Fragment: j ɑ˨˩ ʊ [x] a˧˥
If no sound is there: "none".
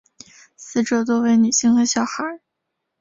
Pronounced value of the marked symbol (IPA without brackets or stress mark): x